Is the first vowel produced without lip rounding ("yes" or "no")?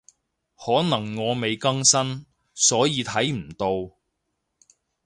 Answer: no